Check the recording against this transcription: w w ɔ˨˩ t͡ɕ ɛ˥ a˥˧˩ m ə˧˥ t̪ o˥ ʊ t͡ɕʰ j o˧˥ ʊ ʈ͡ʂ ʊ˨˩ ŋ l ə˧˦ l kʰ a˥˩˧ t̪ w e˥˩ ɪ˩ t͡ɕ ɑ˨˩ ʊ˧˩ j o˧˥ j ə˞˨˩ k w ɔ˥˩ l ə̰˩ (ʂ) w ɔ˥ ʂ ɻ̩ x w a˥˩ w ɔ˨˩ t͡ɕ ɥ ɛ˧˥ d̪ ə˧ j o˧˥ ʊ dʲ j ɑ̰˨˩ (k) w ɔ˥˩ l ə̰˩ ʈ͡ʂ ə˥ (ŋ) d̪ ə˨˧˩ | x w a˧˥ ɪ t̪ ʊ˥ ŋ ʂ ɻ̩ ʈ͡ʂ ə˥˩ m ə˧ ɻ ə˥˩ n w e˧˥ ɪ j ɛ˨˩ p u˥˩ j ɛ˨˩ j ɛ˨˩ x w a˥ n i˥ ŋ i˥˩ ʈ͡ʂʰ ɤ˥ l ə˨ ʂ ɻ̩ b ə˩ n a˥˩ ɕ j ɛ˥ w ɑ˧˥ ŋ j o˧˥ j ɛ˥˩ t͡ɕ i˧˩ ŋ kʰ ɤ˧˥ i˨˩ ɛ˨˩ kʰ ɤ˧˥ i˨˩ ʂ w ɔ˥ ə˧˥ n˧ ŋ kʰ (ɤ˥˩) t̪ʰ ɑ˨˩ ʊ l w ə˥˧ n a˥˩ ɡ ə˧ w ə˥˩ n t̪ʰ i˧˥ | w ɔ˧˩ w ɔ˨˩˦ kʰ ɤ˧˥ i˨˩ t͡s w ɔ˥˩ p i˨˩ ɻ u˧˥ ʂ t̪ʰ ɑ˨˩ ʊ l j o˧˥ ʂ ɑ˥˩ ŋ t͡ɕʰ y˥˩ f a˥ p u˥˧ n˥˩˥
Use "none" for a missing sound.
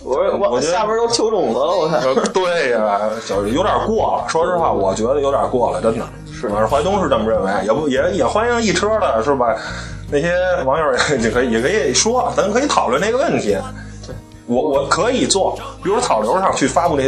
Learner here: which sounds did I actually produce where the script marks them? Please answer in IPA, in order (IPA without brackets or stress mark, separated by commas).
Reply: ʂ, k, n, ɤ˧˥˧